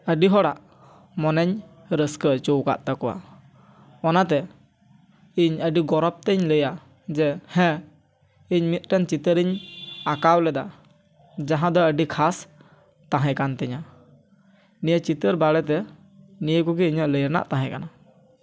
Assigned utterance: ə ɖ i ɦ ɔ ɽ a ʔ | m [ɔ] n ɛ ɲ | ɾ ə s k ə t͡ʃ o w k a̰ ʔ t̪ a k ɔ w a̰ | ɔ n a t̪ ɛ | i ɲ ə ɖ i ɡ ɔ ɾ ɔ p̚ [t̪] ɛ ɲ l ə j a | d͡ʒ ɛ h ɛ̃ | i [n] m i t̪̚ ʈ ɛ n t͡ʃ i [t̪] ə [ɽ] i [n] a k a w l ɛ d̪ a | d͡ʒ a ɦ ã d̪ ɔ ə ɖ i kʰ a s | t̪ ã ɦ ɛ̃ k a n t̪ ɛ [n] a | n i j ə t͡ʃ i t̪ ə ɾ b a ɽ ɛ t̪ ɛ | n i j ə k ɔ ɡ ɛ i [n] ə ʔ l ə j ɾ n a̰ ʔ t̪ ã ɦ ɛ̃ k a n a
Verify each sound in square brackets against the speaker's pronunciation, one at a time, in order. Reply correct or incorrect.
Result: correct, correct, incorrect, correct, incorrect, incorrect, incorrect, incorrect

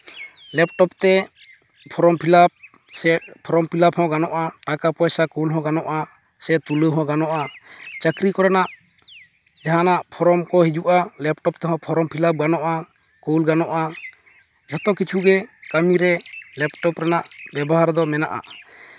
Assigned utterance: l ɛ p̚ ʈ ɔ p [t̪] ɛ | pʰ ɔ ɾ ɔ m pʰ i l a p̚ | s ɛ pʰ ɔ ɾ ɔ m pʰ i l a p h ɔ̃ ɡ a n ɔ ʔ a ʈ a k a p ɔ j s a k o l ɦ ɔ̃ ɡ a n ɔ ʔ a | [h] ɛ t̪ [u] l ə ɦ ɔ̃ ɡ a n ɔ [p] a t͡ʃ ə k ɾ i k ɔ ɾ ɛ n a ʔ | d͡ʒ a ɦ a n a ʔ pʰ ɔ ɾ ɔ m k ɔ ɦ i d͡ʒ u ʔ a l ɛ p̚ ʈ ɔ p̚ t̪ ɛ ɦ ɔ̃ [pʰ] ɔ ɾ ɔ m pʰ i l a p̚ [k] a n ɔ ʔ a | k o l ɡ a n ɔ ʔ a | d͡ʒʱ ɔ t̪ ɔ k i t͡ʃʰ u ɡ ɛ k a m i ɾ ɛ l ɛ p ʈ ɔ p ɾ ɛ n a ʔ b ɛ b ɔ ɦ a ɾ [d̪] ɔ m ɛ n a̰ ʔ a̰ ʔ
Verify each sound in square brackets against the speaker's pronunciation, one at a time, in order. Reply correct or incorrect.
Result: correct, incorrect, correct, incorrect, correct, incorrect, correct

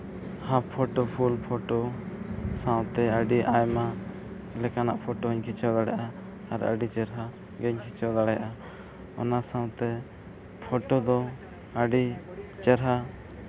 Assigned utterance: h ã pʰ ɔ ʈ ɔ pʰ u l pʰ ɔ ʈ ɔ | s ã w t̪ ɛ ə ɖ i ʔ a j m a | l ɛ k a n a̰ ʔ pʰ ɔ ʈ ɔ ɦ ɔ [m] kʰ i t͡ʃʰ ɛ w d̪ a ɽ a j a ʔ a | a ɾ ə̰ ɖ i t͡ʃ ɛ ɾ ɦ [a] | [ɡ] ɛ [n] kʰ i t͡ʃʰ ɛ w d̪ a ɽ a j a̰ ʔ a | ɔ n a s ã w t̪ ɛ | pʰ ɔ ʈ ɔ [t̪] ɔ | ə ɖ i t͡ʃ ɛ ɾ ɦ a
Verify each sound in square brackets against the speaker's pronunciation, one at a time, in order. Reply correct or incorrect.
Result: incorrect, correct, correct, incorrect, incorrect

